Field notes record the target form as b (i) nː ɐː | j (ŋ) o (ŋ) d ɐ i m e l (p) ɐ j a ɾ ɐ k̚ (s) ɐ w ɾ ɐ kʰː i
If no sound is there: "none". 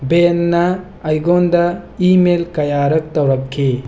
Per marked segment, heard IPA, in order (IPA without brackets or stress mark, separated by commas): e, ɡ, n, k, t